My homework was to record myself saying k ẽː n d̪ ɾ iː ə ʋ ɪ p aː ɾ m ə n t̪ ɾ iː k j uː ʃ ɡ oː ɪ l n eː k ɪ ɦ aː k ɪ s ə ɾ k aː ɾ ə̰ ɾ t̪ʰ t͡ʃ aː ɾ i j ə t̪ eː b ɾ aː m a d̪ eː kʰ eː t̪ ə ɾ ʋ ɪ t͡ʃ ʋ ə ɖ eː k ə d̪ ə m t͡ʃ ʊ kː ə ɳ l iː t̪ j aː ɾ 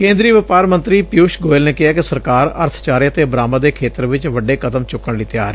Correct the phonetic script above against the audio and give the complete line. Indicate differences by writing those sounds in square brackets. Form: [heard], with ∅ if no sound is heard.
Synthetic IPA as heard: k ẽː n d̪ ɾ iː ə ʋ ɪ p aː ɾ m ə n t̪ ɾ iː [p] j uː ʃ ɡ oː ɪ l n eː k ɪ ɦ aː k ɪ s ə ɾ k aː ɾ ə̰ ɾ t̪ʰ t͡ʃ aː ɾ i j ə t̪ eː b ɾ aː m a d̪ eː kʰ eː t̪ ə ɾ ʋ ɪ t͡ʃ ʋ ə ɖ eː k ə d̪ ə m t͡ʃ ʊ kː ə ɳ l iː t̪ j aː ɾ